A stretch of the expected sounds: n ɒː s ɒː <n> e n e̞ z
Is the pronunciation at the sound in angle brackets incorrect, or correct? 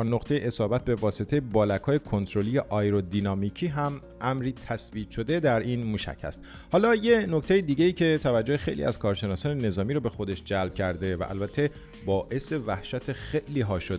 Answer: correct